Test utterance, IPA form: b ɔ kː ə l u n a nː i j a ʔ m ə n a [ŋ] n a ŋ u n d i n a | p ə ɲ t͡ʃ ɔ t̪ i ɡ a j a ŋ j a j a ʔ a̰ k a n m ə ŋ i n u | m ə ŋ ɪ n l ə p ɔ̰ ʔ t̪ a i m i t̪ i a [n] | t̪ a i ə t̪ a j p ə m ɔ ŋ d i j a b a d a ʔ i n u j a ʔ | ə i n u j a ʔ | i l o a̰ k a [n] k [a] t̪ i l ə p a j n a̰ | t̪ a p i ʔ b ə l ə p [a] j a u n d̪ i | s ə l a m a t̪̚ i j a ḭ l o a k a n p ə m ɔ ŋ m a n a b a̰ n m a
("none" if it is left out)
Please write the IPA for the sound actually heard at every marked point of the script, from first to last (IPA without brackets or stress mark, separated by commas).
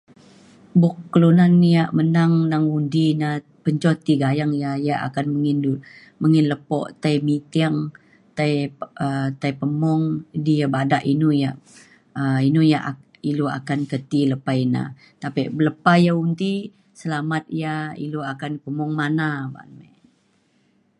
ŋ, ŋ, n, ə, a